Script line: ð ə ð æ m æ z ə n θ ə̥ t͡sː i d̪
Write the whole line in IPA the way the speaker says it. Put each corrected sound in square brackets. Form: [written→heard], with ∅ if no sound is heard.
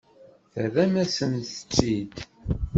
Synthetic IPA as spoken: [ð→θ] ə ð æ m æ [z→s] ə n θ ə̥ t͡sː i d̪